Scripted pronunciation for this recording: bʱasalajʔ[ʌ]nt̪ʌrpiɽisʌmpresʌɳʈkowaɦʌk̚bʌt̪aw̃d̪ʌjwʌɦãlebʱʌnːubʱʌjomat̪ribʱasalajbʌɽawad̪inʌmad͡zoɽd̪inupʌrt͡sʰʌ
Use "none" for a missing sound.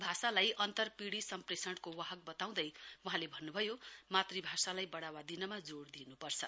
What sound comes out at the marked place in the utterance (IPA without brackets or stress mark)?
ʌ